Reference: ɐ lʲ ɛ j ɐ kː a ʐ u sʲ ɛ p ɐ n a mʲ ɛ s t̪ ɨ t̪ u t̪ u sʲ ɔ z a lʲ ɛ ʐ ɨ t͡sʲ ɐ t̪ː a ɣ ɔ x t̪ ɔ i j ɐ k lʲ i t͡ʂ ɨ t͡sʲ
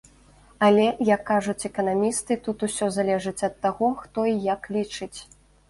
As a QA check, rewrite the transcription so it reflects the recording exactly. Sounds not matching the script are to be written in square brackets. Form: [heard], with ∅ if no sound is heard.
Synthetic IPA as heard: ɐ lʲ ɛ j ɐ kː a ʐ u [t͡sʲ] ɛ [k] ɐ n a mʲ [i] s t̪ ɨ t̪ u t̪ u sʲ ɔ z a lʲ ɛ ʐ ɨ t͡sʲ ɐ t̪ː a ɣ ɔ x t̪ ɔ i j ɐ k lʲ i t͡ʂ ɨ t͡sʲ